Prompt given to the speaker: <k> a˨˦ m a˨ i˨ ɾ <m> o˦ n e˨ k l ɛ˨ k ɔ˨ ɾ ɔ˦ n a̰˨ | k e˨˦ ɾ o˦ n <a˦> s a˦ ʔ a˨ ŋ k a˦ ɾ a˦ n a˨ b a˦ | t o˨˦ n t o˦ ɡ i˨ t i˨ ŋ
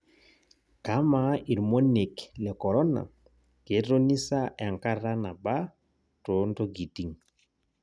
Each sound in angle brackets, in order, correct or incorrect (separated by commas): correct, correct, incorrect